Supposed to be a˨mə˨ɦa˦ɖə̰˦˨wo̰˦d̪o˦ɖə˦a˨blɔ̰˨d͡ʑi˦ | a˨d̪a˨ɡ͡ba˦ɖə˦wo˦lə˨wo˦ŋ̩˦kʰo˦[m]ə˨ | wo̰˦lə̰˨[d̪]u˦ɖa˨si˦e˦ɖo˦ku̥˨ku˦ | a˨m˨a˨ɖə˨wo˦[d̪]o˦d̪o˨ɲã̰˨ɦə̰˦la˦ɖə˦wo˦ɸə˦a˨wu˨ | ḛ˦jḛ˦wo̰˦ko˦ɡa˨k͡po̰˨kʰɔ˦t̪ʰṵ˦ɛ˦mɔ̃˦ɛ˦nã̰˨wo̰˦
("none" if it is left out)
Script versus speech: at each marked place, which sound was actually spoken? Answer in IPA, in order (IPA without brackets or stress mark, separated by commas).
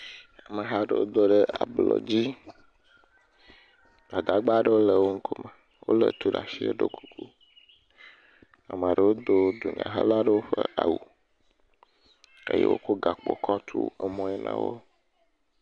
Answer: m, t̪, d̪